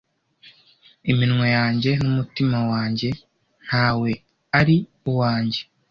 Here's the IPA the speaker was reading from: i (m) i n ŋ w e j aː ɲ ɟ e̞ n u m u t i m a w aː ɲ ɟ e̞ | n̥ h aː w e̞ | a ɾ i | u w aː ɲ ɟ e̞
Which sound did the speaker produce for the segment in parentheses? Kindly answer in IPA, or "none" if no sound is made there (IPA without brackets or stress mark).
m